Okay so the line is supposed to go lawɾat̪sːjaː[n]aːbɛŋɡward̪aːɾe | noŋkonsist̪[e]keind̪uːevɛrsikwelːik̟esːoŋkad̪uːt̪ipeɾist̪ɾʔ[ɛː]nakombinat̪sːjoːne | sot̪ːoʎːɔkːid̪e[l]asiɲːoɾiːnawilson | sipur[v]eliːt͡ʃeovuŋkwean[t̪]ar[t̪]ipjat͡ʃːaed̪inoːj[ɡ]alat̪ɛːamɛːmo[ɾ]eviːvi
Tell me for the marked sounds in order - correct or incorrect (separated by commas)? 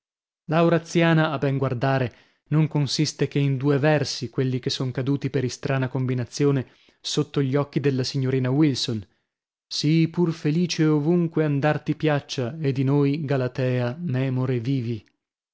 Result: correct, correct, incorrect, incorrect, incorrect, incorrect, correct, correct, correct